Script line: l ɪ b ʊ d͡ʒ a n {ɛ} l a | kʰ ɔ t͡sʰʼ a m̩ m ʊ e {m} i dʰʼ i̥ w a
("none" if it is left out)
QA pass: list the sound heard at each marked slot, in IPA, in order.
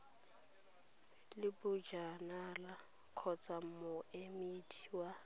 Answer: a, m

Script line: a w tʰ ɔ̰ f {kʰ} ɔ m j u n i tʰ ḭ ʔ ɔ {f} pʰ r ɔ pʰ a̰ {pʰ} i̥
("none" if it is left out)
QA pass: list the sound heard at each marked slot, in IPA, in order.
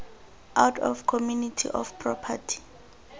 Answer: kʰ, f, tʰ

